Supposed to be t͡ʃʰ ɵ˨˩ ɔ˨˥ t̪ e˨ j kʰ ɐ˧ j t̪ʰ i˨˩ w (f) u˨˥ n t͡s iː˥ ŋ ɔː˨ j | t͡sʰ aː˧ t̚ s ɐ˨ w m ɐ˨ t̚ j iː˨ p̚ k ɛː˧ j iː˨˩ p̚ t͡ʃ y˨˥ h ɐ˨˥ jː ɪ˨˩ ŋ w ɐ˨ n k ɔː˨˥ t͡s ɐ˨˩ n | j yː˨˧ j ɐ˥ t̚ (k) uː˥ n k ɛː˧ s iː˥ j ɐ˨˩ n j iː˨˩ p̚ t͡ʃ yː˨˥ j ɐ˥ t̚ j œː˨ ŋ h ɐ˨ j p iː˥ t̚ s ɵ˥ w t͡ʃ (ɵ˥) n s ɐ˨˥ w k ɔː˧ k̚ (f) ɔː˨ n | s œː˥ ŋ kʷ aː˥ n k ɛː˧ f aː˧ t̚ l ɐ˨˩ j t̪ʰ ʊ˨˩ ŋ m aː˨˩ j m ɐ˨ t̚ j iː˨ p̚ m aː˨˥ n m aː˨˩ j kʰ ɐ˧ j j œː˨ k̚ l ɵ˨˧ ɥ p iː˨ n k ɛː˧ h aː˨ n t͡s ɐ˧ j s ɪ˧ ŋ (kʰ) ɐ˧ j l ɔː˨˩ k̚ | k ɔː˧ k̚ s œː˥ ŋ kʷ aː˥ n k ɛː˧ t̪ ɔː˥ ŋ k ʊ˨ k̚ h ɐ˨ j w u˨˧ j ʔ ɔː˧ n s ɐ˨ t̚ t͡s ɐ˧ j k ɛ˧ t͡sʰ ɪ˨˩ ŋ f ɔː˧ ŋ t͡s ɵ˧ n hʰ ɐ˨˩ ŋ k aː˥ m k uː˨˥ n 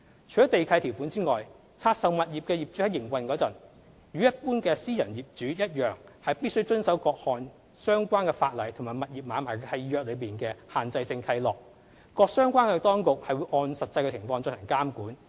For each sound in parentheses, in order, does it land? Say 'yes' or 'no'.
yes, no, yes, no, yes

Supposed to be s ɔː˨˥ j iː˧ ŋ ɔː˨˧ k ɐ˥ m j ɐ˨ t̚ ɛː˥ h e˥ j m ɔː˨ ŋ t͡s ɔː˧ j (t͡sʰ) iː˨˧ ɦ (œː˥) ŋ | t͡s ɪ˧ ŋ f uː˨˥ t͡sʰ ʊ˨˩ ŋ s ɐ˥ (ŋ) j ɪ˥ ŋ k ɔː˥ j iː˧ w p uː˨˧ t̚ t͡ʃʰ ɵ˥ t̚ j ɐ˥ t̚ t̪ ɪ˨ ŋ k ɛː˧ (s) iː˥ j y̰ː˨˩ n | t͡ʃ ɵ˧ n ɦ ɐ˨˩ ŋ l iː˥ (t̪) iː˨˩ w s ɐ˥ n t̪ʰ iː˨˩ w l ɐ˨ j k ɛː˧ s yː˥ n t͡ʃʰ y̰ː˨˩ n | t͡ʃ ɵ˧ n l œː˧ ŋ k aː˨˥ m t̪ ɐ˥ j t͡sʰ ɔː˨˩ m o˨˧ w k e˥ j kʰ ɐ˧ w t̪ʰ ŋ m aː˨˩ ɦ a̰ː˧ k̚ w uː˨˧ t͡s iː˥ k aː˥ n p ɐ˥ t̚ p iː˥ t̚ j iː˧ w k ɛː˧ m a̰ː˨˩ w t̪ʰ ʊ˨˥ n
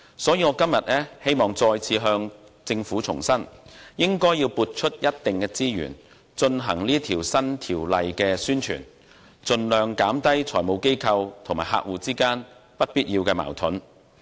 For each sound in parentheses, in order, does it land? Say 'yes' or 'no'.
yes, no, no, no, no

